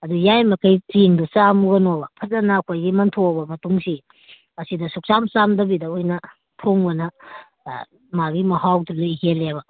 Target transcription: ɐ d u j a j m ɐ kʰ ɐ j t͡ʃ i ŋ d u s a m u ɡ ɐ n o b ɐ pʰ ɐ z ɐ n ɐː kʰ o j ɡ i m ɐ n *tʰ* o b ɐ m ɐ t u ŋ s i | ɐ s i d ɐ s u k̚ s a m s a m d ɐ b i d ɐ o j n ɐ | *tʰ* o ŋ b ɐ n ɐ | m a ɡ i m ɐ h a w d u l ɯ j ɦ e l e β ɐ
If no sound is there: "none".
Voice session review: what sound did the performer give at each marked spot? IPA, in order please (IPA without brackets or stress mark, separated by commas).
tʰ, tʰ